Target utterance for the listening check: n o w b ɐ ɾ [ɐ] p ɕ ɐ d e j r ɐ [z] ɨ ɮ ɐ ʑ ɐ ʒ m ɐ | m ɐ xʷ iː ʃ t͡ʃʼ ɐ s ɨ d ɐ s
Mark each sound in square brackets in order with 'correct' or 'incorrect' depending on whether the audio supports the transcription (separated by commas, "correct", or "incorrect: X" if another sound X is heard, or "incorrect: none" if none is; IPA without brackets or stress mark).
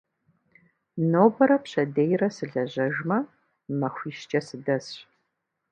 correct, incorrect: s